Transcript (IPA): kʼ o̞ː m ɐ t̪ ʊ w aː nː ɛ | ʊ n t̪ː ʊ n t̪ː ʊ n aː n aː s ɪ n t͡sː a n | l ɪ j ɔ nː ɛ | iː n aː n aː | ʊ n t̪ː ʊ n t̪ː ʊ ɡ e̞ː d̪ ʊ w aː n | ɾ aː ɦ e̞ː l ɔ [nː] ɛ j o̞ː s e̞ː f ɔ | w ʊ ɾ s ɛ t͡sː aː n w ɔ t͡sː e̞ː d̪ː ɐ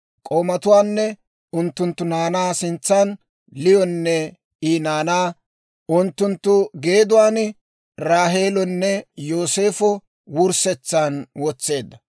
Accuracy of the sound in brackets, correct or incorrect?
correct